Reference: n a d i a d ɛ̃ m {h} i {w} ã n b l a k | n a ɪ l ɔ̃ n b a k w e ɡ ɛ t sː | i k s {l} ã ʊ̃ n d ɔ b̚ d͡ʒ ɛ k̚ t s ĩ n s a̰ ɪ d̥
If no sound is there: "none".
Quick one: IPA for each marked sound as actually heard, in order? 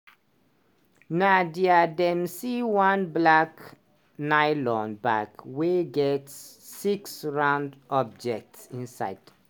s, w, ɹ

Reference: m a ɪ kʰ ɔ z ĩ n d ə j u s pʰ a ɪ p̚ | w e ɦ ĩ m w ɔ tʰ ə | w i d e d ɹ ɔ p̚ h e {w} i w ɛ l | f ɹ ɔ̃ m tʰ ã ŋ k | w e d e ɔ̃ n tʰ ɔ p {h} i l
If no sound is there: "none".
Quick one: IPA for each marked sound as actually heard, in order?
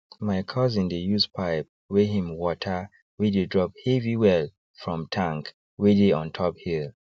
v, h

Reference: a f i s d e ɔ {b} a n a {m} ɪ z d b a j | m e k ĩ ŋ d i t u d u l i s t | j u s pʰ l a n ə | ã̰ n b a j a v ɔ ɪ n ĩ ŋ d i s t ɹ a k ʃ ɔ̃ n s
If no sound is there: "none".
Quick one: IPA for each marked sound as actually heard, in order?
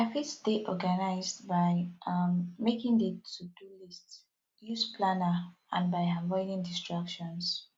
ɡ, none

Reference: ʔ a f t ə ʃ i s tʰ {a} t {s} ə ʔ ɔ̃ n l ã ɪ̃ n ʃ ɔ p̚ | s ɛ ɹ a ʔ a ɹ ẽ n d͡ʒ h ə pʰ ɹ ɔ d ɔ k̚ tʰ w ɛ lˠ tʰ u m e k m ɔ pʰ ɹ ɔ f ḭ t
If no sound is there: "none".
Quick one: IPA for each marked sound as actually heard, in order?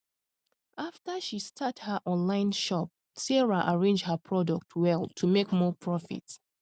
a, h

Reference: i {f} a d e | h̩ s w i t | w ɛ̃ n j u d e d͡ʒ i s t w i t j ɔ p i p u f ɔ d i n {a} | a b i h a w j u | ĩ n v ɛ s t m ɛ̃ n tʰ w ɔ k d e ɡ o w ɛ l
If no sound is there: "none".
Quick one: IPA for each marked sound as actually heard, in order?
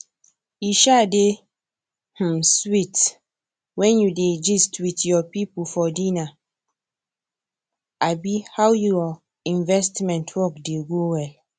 ʃ, a

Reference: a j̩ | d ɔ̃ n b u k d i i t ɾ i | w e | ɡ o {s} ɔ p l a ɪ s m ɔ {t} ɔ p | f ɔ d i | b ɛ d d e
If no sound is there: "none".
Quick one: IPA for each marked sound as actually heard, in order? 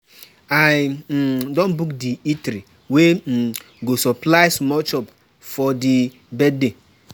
s, t͡ʃ

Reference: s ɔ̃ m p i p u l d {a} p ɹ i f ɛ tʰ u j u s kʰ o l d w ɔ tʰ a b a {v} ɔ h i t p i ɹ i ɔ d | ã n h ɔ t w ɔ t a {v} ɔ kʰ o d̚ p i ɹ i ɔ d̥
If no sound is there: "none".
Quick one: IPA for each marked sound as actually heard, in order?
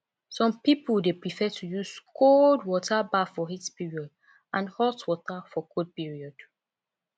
e, f, f

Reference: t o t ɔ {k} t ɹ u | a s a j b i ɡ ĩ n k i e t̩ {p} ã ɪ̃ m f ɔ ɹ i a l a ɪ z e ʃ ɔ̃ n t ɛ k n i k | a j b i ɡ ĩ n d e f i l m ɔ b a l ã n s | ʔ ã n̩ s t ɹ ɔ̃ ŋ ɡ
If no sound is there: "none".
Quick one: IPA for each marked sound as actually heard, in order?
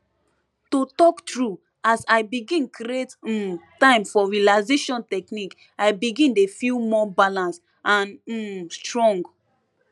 k, t

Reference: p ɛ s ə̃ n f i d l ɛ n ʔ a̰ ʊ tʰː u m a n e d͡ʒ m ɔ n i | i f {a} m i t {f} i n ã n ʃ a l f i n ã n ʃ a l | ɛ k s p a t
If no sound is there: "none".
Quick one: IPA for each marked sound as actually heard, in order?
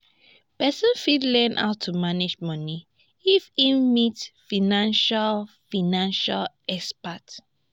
i, f

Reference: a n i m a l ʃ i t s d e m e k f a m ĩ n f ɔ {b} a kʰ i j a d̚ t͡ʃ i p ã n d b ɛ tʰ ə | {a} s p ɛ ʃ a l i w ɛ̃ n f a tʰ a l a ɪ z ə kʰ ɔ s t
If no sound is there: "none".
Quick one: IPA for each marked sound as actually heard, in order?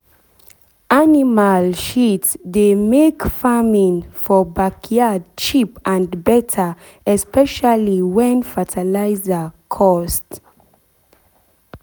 b, ɛ

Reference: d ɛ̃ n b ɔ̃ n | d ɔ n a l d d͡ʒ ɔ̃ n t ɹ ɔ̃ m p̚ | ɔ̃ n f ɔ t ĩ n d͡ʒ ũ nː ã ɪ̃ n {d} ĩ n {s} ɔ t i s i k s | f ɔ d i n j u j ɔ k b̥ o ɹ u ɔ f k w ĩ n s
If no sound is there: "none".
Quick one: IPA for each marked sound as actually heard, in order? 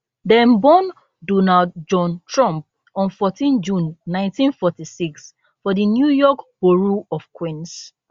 t, f

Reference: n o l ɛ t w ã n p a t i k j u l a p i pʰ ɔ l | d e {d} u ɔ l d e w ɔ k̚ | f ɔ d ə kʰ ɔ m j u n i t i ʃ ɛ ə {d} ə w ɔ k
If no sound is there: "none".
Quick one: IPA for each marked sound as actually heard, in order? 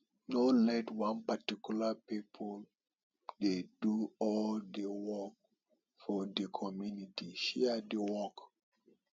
d, d

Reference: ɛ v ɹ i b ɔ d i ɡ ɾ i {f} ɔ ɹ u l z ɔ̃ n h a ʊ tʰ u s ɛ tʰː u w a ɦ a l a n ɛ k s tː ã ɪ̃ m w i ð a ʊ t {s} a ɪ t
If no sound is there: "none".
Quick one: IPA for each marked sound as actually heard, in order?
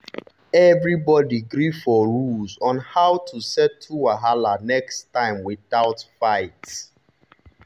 f, f

